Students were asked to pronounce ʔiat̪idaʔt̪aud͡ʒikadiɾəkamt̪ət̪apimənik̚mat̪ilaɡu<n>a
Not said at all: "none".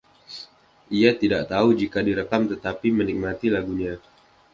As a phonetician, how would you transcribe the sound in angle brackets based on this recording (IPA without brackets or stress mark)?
ɲ